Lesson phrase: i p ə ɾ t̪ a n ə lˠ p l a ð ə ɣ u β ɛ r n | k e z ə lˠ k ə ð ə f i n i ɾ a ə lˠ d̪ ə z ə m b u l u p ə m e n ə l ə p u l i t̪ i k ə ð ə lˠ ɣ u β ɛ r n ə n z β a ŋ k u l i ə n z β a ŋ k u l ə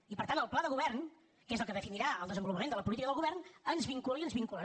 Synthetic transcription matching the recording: i p ə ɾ t̪ a n ə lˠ p l a ð ə ɣ u β ɛ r n | k e z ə lˠ k ə ð ə f i n i ɾ a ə lˠ d̪ ə z ə m b u l u p ə m e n ə l ə p u l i t̪ i k ə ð ə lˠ ɣ u β ɛ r n ə n z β i ŋ k u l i ə n z β i ŋ k u l ə